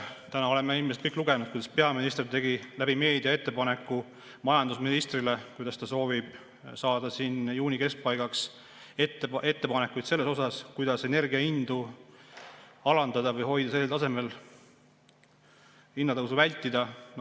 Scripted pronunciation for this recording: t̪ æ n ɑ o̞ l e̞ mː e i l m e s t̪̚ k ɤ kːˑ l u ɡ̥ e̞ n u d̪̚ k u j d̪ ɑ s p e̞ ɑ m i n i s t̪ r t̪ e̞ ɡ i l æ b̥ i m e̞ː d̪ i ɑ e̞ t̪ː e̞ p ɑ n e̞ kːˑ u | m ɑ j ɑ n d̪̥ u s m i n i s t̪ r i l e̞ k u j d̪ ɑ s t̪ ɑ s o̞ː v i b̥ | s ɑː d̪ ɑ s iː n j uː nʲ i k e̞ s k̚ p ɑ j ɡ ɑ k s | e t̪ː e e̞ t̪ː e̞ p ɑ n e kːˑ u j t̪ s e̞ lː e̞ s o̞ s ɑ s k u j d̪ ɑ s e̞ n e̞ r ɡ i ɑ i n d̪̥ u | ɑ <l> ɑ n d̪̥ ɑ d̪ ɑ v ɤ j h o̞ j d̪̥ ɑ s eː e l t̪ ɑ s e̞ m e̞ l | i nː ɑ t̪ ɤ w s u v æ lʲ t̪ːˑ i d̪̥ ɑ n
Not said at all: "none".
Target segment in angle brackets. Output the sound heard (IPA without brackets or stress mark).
l